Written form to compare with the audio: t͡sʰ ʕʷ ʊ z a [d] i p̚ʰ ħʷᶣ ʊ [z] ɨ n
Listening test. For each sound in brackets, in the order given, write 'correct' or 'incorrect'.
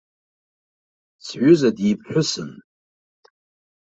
correct, incorrect: s

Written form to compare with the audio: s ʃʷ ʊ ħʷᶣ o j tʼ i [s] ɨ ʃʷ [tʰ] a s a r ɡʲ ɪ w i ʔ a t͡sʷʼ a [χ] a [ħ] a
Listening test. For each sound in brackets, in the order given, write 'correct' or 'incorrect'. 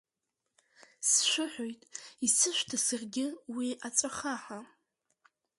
correct, correct, correct, correct

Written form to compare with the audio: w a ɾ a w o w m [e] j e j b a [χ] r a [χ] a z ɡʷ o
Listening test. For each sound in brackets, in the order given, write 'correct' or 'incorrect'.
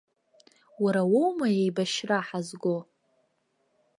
incorrect: a, incorrect: ʃ, incorrect: ħ

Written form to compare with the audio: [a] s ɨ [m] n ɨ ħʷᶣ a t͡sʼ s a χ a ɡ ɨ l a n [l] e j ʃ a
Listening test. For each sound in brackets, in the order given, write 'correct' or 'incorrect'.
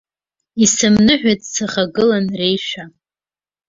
incorrect: i, correct, incorrect: r

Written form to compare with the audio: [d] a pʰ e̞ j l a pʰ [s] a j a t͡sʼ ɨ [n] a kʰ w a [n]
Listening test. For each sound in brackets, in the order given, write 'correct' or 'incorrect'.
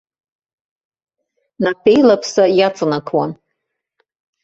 incorrect: n, correct, correct, correct

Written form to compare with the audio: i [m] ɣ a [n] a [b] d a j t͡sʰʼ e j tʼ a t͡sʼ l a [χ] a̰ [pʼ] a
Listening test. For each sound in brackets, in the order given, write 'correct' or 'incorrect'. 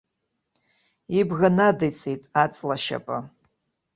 incorrect: b, correct, incorrect: none, incorrect: ʃ, correct

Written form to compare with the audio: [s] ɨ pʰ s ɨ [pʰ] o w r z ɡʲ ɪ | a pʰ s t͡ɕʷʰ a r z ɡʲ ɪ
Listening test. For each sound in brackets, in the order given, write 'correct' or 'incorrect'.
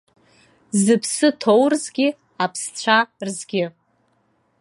incorrect: z, incorrect: tʰ

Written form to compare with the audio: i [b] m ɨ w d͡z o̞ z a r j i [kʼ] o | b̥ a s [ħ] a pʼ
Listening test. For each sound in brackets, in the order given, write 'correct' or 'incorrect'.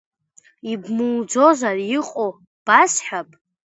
correct, incorrect: qʼ, correct

